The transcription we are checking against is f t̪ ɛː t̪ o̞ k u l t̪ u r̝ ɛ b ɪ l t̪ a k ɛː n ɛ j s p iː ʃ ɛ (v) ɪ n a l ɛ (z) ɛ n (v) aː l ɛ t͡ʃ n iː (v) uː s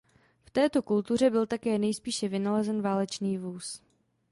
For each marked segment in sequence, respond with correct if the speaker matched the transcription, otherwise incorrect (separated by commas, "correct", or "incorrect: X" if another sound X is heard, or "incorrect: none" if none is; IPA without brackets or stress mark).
correct, correct, correct, correct